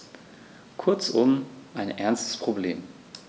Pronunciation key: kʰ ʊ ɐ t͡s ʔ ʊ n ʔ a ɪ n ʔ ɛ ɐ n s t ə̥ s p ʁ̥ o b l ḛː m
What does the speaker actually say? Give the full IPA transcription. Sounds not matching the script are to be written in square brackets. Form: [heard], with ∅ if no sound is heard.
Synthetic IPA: kʰ ʊ ɐ t͡s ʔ ʊ [m] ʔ a ɪ n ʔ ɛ ɐ n s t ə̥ s p ʁ̥ o b l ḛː m